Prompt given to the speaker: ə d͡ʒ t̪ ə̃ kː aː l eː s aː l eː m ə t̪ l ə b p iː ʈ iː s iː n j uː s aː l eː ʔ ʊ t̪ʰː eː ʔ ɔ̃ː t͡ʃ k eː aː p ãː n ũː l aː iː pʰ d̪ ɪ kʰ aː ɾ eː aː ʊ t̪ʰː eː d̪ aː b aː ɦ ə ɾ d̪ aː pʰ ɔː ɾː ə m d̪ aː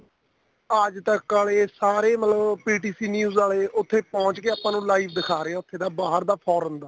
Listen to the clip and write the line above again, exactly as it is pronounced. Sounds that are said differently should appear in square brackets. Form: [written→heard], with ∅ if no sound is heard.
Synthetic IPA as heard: ə d͡ʒ t̪ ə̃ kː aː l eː s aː [l→ɾ] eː m ə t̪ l ə b p iː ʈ iː s iː n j uː [s→z] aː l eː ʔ ʊ t̪ʰː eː [ʔ→p] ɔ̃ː t͡ʃ k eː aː p ãː n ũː l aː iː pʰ d̪ ɪ kʰ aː ɾ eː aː ʊ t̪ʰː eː d̪ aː b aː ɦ ə ɾ d̪ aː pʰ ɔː [ɾː→ɾ] ə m d̪ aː